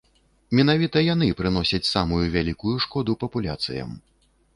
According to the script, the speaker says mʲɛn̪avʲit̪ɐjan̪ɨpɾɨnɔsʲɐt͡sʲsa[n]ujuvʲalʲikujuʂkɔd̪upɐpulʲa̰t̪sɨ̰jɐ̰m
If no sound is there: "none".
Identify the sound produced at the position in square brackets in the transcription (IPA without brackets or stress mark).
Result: m